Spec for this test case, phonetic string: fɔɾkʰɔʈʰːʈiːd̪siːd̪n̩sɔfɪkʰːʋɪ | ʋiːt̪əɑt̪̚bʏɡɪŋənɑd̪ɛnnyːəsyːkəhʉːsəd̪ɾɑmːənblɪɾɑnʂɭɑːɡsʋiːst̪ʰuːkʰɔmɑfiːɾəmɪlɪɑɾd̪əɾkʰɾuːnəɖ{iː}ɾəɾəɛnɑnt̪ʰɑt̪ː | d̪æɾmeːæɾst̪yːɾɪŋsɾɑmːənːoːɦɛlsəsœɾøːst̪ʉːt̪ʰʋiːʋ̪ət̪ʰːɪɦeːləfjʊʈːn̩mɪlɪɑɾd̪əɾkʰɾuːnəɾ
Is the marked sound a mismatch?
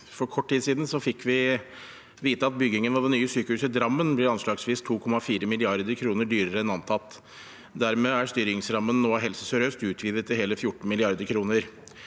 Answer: yes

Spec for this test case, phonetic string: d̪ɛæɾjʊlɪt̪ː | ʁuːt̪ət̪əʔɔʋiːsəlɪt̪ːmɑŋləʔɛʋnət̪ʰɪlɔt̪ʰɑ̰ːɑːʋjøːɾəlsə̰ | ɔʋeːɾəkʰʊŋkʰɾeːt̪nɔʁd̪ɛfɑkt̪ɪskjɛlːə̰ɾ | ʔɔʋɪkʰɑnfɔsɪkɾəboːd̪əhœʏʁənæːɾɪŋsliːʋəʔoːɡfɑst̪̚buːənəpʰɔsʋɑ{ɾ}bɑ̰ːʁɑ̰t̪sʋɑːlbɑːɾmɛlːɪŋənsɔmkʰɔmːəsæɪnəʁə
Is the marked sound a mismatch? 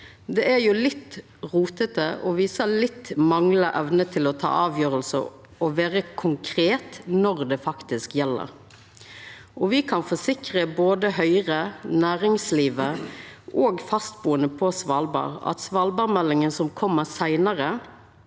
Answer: yes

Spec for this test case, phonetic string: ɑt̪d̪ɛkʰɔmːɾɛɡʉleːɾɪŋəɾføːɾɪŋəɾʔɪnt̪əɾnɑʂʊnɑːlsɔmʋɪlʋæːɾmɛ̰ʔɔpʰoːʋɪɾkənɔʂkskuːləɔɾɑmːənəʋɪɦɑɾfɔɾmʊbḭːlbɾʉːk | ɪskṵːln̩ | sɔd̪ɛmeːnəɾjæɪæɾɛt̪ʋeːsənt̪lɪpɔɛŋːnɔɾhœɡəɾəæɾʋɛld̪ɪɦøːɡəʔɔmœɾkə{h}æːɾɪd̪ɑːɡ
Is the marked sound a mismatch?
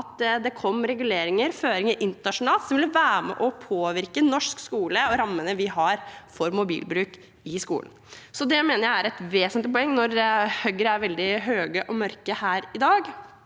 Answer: no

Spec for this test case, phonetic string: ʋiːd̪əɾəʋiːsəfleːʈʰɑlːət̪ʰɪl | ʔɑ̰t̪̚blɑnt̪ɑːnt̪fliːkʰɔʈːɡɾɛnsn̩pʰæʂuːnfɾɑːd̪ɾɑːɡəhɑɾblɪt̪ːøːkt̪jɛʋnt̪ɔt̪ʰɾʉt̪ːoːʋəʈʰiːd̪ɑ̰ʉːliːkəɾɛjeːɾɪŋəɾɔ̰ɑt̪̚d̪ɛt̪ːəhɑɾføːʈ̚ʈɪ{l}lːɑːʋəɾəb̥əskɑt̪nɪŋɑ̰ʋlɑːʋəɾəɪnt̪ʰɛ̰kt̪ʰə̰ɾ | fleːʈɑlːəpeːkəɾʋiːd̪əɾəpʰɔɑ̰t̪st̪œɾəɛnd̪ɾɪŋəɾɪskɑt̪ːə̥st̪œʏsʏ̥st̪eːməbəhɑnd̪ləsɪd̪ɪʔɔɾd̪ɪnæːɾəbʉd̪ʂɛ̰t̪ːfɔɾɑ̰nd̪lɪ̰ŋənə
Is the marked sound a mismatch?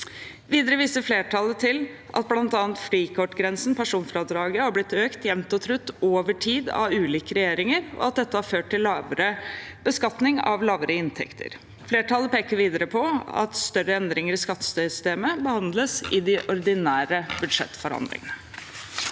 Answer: no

